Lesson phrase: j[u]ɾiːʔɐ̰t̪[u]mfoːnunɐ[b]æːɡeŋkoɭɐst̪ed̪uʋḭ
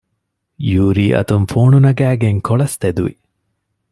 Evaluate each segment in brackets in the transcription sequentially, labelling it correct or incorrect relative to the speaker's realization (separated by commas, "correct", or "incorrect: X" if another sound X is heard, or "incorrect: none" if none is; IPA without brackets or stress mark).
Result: incorrect: uː, correct, incorrect: ɡ